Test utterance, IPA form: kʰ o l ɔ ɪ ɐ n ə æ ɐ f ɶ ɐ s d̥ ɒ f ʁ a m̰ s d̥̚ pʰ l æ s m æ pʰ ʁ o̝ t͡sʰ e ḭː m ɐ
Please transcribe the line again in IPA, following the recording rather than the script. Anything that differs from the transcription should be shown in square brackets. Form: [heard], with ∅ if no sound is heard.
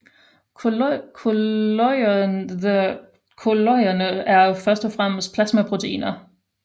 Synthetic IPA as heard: kʰ o l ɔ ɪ ɐ n ə æ ɐ f ɶ ɐ s d̥ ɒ f ʁ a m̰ s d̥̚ pʰ l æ s m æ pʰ ʁ o̝ t͡sʰ e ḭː [n] ɐ